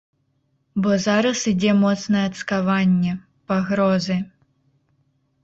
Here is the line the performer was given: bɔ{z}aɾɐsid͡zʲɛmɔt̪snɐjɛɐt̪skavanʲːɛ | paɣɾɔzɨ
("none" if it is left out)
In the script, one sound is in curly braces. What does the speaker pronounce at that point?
z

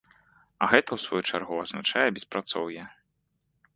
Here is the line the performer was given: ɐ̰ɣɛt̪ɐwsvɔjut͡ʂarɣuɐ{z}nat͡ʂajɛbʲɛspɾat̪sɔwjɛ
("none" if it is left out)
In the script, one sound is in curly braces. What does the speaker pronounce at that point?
z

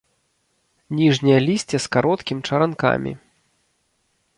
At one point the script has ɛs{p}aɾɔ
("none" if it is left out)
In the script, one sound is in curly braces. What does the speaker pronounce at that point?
k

